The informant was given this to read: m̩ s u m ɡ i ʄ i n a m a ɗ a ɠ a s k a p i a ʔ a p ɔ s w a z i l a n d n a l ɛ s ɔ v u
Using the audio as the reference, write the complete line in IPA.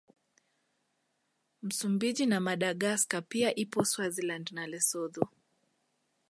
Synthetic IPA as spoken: m̩ s u m b i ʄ i n a m a ɗ a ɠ a s k a p i a ʔ i p ɔ s w a z i l a n d n a l ɛ s ɔ ð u